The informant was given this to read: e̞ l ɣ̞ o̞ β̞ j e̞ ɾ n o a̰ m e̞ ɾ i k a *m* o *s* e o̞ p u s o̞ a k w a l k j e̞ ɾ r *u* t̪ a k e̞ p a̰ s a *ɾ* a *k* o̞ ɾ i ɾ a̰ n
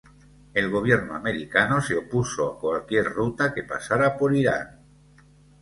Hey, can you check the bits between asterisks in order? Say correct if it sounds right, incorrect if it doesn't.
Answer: incorrect: n, correct, correct, correct, incorrect: p

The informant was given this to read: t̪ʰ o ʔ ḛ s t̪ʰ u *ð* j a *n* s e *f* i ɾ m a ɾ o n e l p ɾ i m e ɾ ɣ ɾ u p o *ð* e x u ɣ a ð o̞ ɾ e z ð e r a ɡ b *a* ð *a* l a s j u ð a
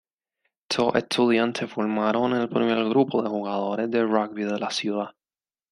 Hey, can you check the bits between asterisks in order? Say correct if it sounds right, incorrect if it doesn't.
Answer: correct, correct, correct, correct, incorrect: i, incorrect: e

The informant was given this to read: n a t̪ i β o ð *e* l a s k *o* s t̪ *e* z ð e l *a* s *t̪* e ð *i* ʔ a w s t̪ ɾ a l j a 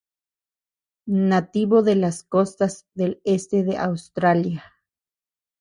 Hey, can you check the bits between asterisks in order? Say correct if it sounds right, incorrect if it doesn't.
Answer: correct, correct, incorrect: a, incorrect: e, correct, incorrect: e

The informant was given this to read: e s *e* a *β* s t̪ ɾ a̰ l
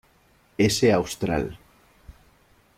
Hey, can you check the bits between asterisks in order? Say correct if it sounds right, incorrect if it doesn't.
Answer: correct, incorrect: w

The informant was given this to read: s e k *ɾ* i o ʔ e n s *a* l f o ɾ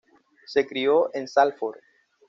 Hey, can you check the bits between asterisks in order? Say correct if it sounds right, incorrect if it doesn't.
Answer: correct, correct

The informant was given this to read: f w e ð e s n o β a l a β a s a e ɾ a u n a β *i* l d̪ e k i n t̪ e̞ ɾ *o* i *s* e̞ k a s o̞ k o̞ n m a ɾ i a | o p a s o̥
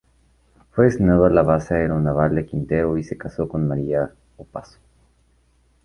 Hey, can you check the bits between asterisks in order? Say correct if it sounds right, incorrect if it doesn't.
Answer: incorrect: a, correct, correct

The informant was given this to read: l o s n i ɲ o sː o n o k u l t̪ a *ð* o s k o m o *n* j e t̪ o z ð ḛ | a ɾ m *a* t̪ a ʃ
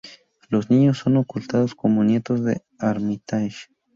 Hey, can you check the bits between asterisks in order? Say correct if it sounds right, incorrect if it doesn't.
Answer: correct, correct, incorrect: i

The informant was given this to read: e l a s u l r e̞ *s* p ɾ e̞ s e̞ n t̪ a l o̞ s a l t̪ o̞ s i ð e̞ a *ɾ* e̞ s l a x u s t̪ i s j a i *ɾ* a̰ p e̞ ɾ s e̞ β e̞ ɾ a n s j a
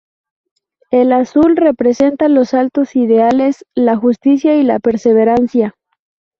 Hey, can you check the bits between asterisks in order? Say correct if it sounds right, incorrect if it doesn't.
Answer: incorrect: none, incorrect: l, incorrect: l

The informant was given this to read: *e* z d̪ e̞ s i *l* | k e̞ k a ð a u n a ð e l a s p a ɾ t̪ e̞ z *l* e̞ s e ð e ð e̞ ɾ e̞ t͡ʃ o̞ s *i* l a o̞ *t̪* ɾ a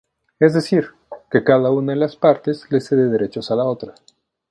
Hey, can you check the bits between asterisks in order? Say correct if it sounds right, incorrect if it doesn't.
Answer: correct, incorrect: ɾ, correct, incorrect: a, correct

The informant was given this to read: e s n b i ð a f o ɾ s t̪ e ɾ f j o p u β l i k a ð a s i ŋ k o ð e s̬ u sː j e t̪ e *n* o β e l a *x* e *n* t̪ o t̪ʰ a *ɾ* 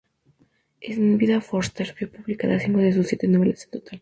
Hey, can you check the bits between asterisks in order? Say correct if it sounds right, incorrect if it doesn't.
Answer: correct, incorrect: s, correct, incorrect: l

